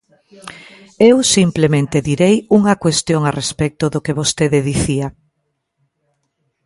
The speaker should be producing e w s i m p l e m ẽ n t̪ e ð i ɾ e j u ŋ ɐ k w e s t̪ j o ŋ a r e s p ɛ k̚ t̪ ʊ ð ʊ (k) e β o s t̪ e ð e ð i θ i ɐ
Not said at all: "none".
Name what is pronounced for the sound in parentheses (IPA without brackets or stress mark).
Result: k